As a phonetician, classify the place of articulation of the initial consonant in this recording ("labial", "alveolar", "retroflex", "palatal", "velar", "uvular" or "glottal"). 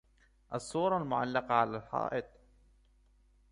glottal